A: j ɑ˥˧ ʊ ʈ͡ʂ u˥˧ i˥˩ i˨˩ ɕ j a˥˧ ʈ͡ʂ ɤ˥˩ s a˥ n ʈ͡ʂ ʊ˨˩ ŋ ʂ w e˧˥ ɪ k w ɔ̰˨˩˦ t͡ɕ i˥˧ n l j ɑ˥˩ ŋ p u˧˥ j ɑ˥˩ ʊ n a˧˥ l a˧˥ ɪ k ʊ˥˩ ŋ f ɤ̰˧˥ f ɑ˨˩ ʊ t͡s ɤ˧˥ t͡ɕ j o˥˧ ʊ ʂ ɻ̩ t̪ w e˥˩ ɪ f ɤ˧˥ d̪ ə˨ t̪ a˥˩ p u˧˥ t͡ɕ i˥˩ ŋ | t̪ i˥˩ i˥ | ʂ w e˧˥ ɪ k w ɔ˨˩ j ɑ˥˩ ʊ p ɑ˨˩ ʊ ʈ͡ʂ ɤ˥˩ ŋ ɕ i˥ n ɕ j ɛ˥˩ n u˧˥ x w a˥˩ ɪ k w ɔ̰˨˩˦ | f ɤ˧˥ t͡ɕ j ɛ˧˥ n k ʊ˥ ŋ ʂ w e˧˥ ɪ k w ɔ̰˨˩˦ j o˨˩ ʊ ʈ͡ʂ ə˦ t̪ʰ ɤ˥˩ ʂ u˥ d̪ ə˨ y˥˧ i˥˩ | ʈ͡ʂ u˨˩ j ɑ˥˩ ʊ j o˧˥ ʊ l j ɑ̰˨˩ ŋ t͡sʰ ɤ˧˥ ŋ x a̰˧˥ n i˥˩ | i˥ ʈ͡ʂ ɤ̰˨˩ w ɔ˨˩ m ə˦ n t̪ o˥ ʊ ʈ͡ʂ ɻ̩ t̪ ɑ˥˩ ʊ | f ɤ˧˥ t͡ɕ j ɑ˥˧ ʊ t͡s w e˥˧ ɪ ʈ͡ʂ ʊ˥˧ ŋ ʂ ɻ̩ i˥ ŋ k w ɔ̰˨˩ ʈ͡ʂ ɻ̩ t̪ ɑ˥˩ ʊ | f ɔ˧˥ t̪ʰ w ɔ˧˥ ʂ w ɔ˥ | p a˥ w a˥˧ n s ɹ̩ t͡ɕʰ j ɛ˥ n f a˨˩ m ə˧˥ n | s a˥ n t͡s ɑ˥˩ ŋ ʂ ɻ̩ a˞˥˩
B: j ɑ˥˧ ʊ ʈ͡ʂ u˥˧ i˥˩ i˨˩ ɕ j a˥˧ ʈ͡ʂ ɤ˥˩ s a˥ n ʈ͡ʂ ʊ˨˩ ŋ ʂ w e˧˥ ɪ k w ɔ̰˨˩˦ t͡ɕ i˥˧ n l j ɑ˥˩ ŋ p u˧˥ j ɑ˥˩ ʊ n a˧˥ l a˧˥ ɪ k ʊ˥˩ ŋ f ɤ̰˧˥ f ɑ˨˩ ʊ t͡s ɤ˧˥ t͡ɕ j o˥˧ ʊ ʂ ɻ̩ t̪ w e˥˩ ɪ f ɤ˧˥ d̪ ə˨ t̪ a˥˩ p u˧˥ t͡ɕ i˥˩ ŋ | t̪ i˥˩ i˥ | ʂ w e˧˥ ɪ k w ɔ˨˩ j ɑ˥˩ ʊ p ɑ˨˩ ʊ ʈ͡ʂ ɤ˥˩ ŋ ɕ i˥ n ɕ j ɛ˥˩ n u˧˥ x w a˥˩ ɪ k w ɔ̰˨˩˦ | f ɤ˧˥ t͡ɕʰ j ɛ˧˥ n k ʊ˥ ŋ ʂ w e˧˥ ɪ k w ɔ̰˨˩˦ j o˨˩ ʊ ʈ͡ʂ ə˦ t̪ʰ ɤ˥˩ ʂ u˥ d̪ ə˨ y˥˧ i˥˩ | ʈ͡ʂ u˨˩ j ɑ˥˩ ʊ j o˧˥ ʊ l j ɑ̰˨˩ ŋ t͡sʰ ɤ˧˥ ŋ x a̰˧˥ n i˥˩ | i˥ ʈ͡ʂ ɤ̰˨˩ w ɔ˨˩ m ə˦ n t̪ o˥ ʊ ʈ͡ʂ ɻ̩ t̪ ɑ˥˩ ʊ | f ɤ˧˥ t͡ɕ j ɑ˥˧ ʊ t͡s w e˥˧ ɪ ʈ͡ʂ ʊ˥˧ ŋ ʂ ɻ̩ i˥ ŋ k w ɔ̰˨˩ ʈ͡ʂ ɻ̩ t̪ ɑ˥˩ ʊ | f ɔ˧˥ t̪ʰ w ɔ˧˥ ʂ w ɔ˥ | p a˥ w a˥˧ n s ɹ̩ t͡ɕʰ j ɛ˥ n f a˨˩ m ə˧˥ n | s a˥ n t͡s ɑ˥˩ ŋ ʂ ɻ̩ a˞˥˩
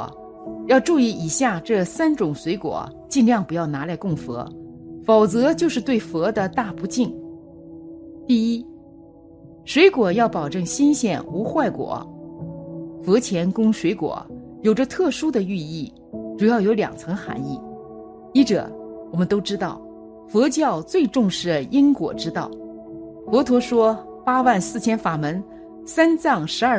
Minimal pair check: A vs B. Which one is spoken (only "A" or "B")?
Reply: B